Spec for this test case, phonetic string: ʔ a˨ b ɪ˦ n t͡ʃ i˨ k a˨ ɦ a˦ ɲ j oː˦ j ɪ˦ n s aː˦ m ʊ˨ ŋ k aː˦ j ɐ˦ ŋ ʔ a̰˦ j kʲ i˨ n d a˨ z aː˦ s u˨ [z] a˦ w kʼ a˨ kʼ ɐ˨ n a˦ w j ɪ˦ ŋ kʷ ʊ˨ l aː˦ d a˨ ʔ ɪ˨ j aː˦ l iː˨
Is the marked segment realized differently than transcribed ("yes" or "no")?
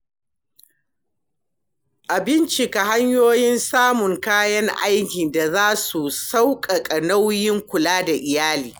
yes